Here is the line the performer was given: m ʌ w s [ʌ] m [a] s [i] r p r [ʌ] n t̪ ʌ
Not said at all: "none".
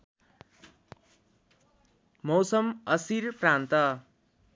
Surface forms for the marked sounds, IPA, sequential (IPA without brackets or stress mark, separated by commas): ʌ, ʌ, i, a